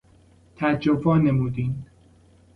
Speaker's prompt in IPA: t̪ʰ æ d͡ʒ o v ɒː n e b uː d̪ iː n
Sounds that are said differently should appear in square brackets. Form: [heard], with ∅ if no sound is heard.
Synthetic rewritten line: t̪ʰ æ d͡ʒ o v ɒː n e [m] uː d̪ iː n